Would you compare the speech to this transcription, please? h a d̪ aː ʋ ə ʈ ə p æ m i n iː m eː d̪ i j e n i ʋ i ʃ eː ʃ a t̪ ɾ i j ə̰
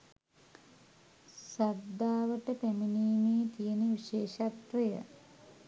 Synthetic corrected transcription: s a d̪ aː ʋ ə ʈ ə p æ m i n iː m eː t̪ i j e n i ʋ i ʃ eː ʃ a t̪ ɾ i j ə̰